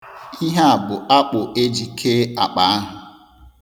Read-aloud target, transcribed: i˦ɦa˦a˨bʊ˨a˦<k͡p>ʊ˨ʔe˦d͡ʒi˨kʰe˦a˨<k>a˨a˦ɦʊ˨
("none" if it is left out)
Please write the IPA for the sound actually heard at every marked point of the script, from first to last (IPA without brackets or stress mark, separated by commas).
k͡p, k͡p